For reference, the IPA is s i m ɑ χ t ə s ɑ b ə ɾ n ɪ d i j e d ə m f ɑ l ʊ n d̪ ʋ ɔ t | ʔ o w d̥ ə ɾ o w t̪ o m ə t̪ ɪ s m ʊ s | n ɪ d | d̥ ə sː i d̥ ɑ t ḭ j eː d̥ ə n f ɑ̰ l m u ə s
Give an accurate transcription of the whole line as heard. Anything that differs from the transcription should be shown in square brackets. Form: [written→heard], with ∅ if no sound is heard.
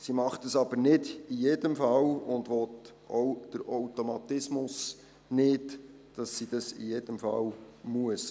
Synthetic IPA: s i m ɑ χ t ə s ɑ b ə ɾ n ɪ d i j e d ə m f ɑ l ʊ n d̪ ʋ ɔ t | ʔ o w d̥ ə ɾ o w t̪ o m [ə→ɑ] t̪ ɪ s m ʊ s | n ɪ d | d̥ [ə→ɑ] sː i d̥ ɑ [t→s] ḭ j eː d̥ ə [n→m] f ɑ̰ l m u ə s